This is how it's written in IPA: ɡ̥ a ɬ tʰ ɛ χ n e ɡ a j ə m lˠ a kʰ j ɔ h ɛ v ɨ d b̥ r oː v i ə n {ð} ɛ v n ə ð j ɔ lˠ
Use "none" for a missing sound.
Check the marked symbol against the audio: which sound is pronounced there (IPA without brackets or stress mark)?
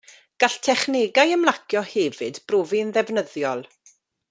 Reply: ð